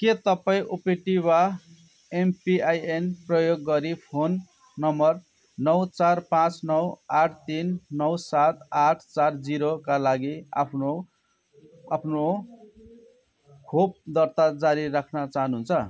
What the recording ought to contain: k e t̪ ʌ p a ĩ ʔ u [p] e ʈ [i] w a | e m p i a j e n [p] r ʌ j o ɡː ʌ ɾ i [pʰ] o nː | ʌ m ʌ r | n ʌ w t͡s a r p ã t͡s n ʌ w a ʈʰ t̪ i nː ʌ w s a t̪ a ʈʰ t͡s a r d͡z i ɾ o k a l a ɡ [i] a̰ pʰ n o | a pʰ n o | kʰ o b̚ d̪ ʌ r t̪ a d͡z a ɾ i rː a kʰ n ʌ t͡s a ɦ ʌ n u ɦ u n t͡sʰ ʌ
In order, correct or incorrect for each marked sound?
correct, correct, correct, correct, correct

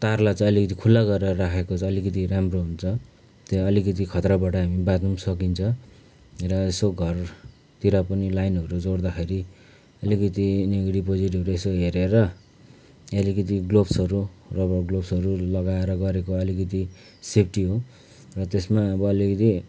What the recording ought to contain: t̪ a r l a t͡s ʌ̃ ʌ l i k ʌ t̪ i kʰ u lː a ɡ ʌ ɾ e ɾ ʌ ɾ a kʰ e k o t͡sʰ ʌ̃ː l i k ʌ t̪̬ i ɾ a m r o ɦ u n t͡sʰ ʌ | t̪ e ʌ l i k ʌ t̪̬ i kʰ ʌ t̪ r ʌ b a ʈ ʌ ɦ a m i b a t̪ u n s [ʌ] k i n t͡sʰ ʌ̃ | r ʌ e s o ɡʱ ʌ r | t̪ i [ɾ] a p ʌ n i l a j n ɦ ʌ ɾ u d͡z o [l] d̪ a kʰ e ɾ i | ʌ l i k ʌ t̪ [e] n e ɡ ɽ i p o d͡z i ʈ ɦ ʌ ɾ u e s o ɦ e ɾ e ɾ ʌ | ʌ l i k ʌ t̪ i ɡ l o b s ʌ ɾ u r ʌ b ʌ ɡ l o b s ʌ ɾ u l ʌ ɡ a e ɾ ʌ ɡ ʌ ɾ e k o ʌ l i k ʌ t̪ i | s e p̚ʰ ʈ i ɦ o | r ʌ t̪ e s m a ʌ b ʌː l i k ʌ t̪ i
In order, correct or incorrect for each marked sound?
correct, correct, incorrect, incorrect

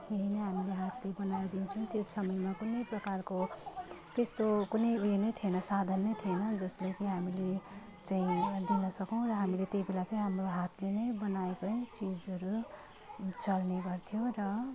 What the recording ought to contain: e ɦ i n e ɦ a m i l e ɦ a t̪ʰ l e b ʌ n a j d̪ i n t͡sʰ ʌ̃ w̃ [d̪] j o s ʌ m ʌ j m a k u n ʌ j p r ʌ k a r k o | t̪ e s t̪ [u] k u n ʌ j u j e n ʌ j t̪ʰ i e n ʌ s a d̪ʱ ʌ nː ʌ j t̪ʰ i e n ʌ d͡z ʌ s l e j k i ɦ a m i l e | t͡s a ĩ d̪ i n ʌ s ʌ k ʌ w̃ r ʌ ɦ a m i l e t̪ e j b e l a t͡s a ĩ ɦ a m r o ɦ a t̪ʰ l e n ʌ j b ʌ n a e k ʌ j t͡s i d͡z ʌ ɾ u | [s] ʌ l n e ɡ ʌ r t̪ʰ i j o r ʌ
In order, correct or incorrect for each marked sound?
incorrect, incorrect, incorrect

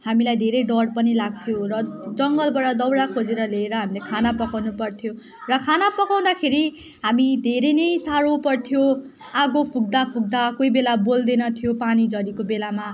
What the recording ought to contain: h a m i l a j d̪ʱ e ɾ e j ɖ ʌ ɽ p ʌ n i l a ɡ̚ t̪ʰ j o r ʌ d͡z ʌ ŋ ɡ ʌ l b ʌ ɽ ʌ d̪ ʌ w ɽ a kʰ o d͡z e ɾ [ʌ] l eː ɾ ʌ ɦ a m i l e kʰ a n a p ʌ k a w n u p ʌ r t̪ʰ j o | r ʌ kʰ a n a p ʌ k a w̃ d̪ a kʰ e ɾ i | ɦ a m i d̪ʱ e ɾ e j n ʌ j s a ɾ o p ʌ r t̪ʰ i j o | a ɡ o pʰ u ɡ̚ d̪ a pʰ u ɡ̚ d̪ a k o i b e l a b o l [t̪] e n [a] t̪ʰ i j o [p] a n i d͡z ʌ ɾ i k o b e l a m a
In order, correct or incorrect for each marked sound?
correct, incorrect, incorrect, correct

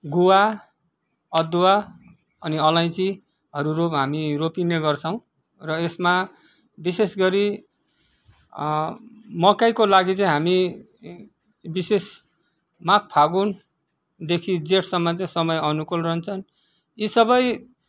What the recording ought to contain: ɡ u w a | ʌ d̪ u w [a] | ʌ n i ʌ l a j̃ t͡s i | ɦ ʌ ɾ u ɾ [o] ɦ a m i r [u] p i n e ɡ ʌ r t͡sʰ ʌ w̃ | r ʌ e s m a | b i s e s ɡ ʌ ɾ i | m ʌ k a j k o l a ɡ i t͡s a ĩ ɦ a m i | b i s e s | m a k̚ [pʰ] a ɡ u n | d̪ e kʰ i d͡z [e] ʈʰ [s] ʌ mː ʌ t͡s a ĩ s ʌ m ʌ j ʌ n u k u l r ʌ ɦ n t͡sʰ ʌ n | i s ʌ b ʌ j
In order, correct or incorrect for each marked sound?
correct, correct, incorrect, correct, correct, correct

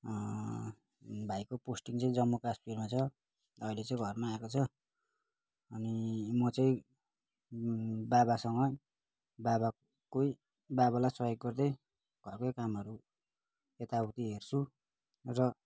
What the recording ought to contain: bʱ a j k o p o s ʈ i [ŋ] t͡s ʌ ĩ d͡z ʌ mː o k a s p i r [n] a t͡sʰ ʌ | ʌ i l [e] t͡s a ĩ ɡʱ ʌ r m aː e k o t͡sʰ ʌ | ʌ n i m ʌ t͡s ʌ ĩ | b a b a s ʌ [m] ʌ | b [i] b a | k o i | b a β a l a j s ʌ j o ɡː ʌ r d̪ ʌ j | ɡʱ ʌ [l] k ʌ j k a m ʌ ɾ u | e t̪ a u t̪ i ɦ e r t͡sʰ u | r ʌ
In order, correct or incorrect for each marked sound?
correct, incorrect, correct, incorrect, incorrect, incorrect

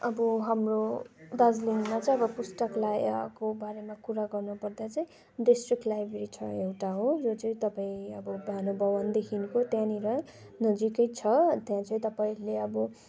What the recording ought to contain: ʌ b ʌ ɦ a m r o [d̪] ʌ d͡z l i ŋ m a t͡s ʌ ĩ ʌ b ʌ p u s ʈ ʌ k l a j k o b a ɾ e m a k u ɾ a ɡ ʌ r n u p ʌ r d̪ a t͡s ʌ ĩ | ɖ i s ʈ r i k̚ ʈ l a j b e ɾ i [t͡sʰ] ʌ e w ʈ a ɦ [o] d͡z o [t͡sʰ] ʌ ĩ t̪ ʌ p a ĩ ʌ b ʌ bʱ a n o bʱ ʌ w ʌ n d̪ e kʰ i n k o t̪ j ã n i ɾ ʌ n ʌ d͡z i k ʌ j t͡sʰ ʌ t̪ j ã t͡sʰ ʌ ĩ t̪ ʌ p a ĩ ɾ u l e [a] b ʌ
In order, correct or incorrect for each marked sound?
correct, correct, correct, incorrect, incorrect

